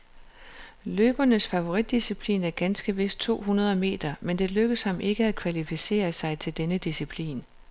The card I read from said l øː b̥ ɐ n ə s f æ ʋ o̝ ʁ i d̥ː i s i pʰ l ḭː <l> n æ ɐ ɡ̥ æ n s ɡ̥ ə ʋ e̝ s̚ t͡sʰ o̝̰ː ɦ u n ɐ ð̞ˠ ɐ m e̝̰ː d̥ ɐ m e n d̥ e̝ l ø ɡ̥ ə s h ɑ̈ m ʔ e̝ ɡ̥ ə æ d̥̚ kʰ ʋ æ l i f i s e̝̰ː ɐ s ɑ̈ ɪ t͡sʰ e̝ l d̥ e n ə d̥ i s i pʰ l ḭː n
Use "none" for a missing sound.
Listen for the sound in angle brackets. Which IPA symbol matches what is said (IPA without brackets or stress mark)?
none